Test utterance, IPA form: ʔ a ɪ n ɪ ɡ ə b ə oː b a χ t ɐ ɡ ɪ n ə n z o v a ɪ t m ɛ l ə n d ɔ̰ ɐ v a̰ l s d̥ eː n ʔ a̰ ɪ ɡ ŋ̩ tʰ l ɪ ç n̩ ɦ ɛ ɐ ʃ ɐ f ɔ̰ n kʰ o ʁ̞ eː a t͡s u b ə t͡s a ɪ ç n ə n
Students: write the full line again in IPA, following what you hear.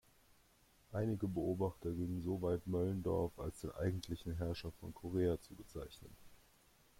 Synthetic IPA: ʔ a ɪ n ɪ ɡ ə b ə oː b a χ t ɐ ɡ ɪ ŋ ə n z o v a ɪ t m œ l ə n d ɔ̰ ɐ f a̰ l s d̥ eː n ʔ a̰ ɪ ɡ ŋ̩ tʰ l ɪ ç n̩ ɦ ɛ ɐ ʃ ɐ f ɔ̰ n kʰ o ʁ̞ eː a t͡s u b ə t͡s a ɪ ç n ə n

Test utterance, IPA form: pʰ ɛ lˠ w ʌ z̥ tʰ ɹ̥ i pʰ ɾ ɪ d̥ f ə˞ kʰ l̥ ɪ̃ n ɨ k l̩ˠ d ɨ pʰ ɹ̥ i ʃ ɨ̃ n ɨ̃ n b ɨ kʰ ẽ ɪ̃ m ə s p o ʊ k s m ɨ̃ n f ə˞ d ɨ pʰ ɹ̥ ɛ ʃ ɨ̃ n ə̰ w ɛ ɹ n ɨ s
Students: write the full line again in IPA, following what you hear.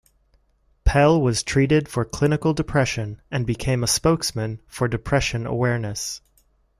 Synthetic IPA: pʰ ɛ lˠ w ʌ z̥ tʰ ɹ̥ i ɾ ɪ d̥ f ə˞ kʰ l̥ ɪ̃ n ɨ k l̩ˠ d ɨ pʰ ɹ̥ ɛ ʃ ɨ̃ n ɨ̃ n b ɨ kʰ ẽ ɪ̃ m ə s p o ʊ k s m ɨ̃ n f ə˞ d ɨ pʰ ɹ̥ ɛ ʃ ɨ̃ n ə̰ w ɛ ɹ n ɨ s

